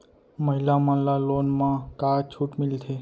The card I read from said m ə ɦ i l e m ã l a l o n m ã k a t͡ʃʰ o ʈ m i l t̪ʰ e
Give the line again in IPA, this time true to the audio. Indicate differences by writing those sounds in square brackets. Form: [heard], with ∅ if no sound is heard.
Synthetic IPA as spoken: m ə ɦ i l [a] m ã l a l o n m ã k a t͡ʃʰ [u] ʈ m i l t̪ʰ e

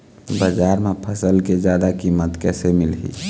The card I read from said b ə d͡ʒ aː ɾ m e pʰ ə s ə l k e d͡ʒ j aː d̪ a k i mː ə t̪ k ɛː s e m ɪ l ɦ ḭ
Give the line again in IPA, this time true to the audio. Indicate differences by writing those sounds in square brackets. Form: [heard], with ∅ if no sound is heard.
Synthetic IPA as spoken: b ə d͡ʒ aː ɾ m e pʰ ə s ə l k e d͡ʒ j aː d̪ a k i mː ə t̪ k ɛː s e m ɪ l ɦ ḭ

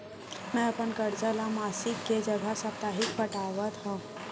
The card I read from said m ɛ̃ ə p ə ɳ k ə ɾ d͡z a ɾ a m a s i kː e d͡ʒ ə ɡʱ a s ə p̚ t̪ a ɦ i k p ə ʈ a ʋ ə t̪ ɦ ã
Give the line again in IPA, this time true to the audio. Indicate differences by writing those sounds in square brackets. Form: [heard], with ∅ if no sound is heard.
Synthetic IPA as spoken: m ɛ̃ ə p ə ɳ k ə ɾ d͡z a [l] a m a s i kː e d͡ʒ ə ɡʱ a s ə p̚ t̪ a ɦ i k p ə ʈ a ʋ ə t̪ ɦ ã

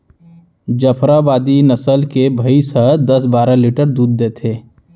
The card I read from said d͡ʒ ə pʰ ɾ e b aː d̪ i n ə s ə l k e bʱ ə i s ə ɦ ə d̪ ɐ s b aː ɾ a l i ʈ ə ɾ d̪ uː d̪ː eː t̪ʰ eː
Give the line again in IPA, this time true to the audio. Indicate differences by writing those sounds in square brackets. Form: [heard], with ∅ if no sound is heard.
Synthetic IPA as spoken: d͡ʒ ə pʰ ɾ [a] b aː d̪ i n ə s ə l k e bʱ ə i s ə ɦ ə d̪ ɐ s b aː ɾ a l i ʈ ə ɾ d̪ uː d̪ː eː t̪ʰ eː

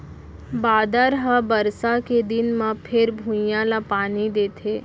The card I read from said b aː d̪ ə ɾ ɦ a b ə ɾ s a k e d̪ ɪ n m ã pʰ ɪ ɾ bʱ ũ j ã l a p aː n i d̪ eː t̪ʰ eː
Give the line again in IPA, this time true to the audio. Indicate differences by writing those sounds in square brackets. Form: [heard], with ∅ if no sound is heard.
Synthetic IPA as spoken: b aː d̪ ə ɾ ɦ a b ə ɾ s a k e d̪ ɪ n m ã pʰ ɪ ɾ bʱ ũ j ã l a p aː n i d̪ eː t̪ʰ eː

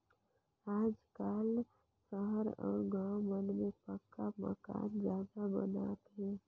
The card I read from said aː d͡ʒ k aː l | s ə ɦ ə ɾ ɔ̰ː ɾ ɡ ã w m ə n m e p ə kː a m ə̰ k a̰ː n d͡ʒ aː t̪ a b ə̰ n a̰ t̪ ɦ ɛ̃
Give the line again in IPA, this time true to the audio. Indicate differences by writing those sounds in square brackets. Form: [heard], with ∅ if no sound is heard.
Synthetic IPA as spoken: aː d͡ʒ k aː l | s ə ɦ ə ɾ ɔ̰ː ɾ ɡ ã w m ə n m e p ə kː a m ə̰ k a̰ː n d͡ʒ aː [d̪] a b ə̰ n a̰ t̪ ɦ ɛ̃

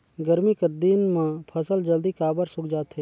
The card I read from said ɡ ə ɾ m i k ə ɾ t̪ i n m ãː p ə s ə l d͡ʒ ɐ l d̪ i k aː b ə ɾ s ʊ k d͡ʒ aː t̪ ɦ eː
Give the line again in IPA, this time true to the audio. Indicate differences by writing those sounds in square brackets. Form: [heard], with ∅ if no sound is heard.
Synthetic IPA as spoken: ɡ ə ɾ m i k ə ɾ [d̪] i n m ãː [pʰ] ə s ə l d͡ʒ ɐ l d̪ i k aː b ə ɾ s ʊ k d͡ʒ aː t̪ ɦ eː

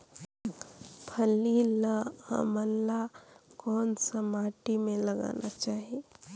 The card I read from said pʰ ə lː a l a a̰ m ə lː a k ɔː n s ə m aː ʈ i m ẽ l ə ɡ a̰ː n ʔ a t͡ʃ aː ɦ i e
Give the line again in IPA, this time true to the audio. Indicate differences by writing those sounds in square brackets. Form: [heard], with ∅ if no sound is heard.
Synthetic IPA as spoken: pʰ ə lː [i] l a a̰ m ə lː a k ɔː n s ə m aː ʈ i m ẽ l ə ɡ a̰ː n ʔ a t͡ʃ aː ɦ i e

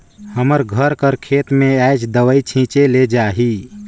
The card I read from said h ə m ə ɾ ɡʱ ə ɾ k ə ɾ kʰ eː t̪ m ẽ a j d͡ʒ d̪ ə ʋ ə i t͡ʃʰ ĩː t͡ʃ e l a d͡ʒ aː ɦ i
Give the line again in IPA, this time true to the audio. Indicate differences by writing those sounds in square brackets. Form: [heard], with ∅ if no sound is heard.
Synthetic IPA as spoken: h ə m ə ɾ ɡʱ ə ɾ k ə ɾ kʰ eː t̪ m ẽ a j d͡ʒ d̪ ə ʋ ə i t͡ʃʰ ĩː t͡ʃ e l [e] d͡ʒ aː ɦ i

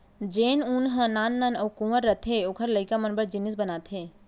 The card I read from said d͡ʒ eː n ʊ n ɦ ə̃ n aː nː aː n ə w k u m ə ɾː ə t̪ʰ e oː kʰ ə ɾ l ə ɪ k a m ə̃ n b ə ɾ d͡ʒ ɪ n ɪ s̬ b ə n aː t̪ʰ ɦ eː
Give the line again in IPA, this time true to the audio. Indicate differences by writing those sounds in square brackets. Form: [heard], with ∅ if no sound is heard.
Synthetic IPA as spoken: d͡ʒ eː n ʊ n ɦ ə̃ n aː nː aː n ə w k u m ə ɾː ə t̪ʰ e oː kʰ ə ɾ l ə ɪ k a m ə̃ n b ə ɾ d͡ʒ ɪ n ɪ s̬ b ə n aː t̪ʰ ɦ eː

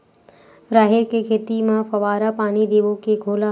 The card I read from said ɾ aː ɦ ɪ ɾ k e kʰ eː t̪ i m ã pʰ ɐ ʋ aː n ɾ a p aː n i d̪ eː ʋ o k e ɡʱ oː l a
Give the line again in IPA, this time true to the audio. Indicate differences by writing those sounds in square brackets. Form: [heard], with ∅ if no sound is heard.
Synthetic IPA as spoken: ɾ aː ɦ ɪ ɾ k e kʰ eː t̪ i m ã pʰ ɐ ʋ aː [∅] ɾ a p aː n i d̪ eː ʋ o k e ɡʱ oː l a

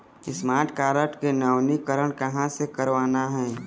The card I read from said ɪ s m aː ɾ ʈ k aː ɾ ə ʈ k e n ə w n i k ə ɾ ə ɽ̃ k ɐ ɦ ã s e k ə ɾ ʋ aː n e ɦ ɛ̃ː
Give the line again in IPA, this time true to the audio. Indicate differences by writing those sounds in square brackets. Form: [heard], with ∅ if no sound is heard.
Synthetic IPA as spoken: ɪ s m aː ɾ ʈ k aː ɾ ə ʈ k e n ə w n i k ə ɾ ə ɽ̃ k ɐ ɦ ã s e k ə ɾ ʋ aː n [a] ɦ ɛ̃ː

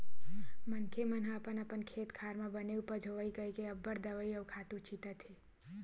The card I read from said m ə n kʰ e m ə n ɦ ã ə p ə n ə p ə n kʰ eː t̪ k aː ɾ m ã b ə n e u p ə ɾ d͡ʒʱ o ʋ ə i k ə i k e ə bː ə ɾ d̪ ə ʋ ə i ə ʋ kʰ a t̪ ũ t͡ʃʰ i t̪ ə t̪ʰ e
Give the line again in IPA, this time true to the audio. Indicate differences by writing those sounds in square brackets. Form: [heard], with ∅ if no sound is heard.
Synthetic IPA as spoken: m ə n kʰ e m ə n ɦ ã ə p ə n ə p ə n kʰ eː t̪ [kʰ] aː ɾ m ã b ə n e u p ə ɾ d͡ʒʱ o ʋ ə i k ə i k e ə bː ə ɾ d̪ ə ʋ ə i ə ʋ kʰ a t̪ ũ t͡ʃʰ i t̪ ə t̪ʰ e

